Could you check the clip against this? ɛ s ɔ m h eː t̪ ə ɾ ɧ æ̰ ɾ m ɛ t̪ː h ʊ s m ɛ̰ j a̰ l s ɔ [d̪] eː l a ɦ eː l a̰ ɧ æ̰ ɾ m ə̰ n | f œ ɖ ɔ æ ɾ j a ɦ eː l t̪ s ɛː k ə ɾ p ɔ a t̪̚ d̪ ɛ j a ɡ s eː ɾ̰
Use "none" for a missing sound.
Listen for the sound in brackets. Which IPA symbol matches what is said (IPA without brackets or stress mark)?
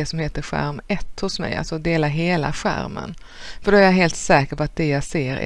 d̪